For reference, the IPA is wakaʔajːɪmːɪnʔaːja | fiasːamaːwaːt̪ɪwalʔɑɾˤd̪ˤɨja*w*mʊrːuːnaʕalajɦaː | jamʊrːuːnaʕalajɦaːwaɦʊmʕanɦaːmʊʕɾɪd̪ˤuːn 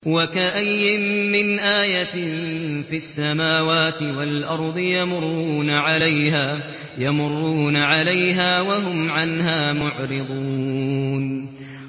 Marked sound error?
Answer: yes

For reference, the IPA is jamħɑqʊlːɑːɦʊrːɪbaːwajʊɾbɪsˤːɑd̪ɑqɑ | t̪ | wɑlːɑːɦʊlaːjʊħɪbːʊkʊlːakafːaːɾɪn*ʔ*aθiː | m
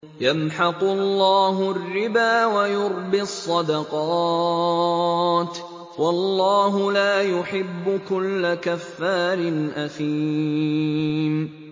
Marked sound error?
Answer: no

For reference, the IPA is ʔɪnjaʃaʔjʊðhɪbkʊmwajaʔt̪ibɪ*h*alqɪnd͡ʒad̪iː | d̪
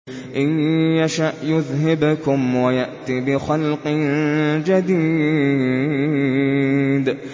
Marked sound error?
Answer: yes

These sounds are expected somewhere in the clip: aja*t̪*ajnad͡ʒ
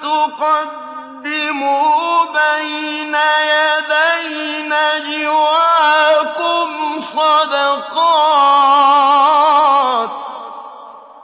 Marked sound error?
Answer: yes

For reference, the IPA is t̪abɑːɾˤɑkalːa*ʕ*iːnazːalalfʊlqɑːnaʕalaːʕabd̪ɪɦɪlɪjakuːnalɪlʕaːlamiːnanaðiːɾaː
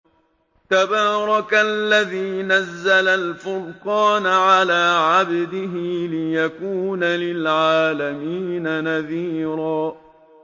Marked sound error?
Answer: yes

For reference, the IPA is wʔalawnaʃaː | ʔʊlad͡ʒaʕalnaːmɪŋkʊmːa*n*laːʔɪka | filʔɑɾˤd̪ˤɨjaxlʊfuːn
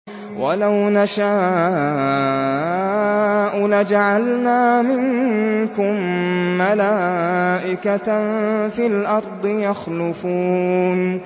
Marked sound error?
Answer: yes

